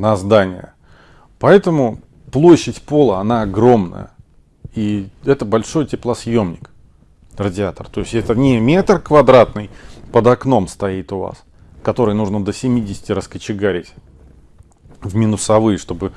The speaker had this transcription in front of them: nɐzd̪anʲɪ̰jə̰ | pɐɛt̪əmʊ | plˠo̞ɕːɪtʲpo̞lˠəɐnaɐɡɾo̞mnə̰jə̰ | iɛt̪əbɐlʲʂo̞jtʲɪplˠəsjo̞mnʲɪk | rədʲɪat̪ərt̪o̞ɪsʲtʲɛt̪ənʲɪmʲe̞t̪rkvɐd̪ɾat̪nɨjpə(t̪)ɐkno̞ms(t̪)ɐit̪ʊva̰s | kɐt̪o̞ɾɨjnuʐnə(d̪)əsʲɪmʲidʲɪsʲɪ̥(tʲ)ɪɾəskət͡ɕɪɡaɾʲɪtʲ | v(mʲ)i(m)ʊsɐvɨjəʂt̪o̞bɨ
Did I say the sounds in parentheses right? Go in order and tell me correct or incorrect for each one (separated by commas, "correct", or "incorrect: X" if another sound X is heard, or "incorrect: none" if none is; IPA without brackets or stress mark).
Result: incorrect: d̪, correct, correct, correct, correct, incorrect: n